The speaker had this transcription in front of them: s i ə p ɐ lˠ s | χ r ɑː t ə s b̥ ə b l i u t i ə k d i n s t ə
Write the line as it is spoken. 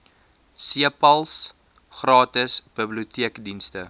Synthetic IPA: s i ə p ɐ lˠ s | χ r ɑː t ə s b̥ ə b l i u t i ə k d i n s t ə